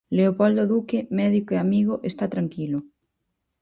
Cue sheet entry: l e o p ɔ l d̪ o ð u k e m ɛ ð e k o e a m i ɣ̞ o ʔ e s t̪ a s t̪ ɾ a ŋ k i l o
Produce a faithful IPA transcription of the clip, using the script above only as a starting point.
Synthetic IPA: l e o p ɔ l d̪ o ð u k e m ɛ ð i k o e a m i ɣ̞ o ʔ e s t̪ a t̪ ɾ a ŋ k i l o